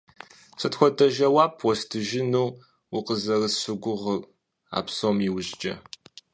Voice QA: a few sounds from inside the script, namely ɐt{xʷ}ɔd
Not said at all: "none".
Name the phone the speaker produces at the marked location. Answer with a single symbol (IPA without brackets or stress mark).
xʷ